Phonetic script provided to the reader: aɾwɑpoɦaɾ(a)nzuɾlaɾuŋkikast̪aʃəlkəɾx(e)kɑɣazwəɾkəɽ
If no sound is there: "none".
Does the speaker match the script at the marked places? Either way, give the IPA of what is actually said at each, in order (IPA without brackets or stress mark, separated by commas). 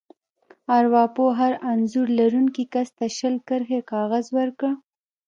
a, e